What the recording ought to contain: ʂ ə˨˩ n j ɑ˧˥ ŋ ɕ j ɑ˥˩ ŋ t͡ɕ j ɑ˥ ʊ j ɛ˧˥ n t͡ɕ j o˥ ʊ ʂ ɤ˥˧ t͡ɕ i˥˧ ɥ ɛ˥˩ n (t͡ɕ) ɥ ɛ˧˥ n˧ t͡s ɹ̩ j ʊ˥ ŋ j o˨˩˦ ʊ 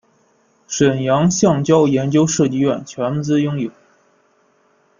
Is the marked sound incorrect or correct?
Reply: incorrect: t͡ɕʰ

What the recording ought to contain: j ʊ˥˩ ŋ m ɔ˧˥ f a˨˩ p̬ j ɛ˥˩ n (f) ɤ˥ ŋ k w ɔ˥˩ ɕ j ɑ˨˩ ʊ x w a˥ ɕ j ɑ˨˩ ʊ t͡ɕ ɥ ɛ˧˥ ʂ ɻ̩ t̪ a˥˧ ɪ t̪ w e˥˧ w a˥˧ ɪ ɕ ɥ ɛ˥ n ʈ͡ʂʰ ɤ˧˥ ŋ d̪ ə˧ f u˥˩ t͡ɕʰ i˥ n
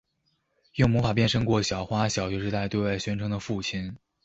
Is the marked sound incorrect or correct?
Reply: incorrect: ʂ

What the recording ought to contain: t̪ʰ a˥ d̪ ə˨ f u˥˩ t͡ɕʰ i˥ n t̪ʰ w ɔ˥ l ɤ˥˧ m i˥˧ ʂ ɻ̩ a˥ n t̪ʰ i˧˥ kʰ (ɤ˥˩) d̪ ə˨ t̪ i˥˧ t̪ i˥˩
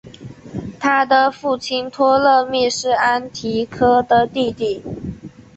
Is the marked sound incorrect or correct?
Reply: incorrect: ɤ˥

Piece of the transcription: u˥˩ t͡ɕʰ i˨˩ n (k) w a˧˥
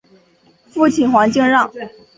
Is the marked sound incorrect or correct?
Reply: incorrect: x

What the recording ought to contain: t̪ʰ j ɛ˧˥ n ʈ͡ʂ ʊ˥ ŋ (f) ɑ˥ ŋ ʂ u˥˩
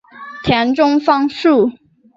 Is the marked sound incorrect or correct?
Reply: correct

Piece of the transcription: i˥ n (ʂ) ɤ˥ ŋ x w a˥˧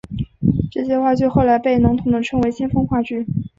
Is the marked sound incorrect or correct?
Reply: incorrect: f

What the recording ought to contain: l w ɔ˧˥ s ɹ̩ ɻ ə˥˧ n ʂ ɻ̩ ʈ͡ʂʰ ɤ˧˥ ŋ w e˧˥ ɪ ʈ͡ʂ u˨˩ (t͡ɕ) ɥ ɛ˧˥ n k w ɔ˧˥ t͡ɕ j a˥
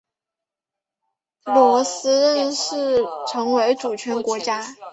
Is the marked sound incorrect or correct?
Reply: incorrect: t͡ɕʰ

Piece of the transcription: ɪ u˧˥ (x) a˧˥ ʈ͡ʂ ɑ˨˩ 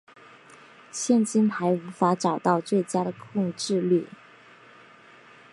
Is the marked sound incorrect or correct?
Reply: incorrect: f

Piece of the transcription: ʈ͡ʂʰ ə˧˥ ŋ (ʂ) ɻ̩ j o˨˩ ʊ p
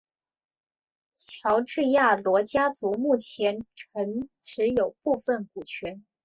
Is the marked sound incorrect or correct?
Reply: incorrect: ʈ͡ʂ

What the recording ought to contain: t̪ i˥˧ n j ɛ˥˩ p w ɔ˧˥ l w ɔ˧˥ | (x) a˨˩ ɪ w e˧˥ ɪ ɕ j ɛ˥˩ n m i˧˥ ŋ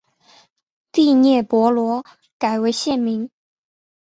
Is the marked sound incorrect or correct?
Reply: incorrect: k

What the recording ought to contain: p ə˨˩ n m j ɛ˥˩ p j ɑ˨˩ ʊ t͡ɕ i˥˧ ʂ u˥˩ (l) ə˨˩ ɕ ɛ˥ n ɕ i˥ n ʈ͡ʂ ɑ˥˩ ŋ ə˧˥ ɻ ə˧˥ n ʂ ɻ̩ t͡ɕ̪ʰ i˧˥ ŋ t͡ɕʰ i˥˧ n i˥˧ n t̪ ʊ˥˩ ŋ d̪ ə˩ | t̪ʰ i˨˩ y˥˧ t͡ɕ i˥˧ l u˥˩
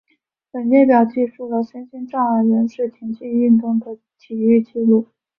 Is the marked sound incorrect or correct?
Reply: correct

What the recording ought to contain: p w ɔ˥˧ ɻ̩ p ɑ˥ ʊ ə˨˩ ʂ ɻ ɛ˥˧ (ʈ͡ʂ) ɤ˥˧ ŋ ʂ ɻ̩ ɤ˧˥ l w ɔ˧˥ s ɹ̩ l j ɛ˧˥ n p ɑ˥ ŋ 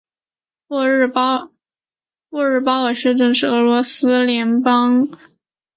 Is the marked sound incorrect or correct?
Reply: correct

